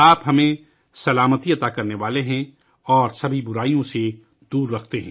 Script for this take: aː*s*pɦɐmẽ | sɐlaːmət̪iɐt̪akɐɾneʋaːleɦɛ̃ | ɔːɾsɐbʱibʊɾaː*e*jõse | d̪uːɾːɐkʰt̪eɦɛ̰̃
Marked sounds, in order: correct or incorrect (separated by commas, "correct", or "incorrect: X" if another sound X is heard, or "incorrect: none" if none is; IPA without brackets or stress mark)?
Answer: incorrect: none, incorrect: i